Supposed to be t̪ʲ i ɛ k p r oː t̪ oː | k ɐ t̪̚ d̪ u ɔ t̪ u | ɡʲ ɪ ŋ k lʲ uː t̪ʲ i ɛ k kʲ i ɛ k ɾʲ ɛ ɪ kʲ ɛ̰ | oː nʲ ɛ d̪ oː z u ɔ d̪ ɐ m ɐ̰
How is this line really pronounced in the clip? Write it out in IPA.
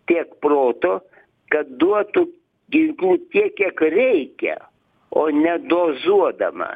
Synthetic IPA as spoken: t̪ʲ i ɛ k p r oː t̪ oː | k ɐ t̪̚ d̪ u ɔ t̪ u | ɡʲ ɪ ŋ k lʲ uː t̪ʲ i ɛ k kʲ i ɛ k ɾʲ ɛ ɪ kʲ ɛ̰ | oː nʲ ɛ d̪ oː z u ɔ d̪ ɐ m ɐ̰